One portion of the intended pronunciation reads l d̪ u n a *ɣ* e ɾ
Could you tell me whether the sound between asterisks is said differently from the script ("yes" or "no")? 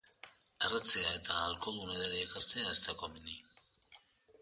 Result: yes